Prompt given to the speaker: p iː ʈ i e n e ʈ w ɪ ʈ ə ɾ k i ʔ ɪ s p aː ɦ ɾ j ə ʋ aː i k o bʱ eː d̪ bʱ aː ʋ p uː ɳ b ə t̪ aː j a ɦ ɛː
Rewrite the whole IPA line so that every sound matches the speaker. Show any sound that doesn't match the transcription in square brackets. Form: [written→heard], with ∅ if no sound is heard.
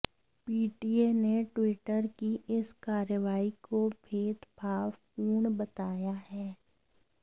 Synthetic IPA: p iː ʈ i e n e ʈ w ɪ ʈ ə ɾ k i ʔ ɪ s [p→k] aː [ɦ→∅] ɾ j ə ʋ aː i k o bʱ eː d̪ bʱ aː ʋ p uː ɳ b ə t̪ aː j a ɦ ɛː